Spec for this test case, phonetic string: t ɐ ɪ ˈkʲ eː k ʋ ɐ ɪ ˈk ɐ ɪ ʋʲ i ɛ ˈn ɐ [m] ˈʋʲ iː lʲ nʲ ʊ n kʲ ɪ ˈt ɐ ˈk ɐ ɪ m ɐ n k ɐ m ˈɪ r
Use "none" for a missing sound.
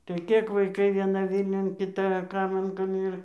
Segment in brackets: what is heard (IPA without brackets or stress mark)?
none